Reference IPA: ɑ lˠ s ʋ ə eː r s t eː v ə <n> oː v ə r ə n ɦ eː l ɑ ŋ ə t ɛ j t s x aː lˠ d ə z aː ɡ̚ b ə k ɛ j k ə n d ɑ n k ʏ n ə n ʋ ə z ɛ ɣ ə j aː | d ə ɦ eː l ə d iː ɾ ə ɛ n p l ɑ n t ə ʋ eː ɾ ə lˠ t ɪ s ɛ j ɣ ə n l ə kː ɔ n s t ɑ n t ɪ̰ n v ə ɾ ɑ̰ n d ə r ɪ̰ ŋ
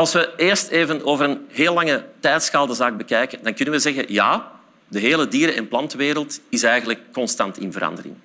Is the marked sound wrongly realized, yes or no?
no